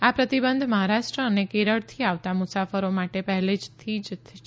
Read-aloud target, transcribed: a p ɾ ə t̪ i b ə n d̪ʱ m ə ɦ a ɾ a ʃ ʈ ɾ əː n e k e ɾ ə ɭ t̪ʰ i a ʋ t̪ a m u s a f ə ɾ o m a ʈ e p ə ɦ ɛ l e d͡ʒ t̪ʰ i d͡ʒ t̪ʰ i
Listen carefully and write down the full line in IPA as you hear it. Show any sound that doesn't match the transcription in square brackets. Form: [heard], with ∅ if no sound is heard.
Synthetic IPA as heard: a p ɾ ə t̪ i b ə n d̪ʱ m ə ɦ a ɾ a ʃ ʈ ɾ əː n e k e ɾ ə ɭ t̪ʰ i a ʋ t̪ a m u s a f ə ɾ o m a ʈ e p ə ɦ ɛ l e d͡ʒ t̪ʰ i d͡ʒ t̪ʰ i